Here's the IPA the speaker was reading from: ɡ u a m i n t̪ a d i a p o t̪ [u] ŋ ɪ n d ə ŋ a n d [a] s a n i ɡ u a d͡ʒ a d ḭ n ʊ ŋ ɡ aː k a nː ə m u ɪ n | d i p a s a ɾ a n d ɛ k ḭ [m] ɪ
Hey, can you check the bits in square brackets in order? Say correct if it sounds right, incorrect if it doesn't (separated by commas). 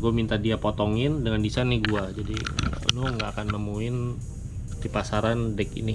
incorrect, incorrect, incorrect